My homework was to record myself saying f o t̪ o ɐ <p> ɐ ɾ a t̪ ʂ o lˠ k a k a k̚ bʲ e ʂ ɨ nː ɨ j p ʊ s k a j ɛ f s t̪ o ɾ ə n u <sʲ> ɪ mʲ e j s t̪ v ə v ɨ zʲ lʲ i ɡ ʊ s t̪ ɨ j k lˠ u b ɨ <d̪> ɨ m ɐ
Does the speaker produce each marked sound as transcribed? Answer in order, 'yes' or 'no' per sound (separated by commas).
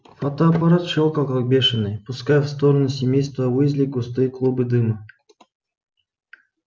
yes, yes, yes